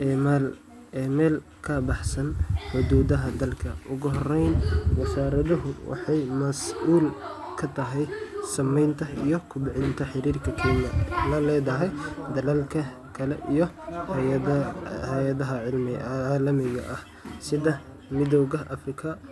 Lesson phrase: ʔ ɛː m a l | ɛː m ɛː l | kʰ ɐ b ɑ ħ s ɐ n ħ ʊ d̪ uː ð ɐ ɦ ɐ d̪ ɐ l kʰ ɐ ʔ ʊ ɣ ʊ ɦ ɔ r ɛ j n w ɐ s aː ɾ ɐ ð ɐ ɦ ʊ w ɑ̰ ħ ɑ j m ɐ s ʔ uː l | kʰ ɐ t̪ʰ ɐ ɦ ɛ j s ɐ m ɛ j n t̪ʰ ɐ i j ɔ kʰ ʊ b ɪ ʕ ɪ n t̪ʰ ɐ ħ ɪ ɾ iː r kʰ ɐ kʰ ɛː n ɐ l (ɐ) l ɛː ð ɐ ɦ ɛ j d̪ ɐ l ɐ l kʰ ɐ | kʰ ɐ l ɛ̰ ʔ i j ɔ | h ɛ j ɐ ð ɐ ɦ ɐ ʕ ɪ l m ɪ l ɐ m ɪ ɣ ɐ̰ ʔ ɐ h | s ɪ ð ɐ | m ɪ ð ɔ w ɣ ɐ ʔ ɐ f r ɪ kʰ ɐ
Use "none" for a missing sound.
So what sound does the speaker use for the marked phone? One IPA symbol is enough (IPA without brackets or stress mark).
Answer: ɐ